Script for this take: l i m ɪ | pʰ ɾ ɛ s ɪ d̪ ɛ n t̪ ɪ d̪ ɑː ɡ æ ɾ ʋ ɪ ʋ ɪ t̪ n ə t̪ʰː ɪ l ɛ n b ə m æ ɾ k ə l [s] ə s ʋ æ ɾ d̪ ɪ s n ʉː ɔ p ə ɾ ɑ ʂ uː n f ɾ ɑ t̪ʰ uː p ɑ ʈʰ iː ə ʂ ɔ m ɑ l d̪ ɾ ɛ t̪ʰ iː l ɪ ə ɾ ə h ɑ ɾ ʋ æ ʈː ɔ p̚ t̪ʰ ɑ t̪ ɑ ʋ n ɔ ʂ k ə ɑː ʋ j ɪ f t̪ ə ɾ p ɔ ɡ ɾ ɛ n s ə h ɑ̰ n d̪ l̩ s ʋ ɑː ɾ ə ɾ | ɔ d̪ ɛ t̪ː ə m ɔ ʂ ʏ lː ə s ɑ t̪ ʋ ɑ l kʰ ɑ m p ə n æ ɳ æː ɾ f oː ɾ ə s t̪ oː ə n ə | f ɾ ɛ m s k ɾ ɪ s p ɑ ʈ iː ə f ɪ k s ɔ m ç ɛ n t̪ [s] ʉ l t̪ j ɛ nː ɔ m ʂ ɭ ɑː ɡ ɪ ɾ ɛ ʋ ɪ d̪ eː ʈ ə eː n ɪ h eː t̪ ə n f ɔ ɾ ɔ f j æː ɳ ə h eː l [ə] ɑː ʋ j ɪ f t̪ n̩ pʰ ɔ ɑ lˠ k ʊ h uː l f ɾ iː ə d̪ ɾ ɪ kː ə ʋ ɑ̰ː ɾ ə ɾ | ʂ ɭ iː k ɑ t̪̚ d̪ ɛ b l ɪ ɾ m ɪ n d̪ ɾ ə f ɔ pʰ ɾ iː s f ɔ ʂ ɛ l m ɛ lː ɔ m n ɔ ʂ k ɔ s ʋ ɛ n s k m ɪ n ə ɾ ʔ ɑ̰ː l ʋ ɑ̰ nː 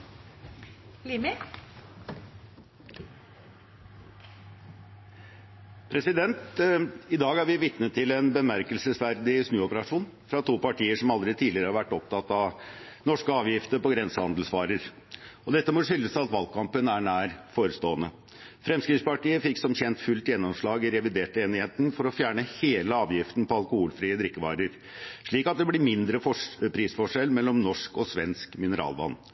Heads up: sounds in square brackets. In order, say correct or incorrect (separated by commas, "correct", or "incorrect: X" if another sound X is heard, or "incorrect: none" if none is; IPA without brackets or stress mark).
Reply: correct, incorrect: f, correct